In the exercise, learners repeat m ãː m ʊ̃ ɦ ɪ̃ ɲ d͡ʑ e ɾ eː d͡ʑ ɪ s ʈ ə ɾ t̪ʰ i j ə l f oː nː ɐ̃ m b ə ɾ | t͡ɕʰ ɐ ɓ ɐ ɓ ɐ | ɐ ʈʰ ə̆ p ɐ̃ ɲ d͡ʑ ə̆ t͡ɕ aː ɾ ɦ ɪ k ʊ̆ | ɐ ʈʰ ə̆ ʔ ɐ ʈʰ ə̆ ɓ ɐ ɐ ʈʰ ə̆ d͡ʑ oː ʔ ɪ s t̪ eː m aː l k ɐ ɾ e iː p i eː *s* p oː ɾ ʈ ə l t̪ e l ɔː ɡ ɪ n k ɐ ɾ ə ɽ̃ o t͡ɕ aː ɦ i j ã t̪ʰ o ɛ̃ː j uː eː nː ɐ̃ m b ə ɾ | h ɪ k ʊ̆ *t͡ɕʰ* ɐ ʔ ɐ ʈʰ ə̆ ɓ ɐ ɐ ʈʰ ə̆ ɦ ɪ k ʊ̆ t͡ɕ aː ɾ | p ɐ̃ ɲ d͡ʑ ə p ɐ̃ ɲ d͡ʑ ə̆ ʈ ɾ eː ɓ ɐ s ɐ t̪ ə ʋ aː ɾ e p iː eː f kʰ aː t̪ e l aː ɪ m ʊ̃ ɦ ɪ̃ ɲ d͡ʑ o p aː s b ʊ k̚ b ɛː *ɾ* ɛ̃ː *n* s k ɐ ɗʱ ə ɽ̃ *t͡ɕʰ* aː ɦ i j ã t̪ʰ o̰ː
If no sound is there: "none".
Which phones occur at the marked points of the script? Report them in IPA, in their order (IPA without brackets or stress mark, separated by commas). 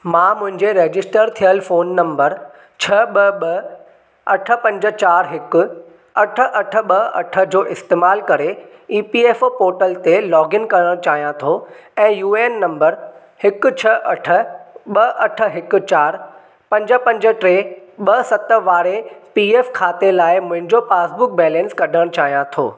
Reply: f, t͡ɕʰ, l, n, t͡ɕ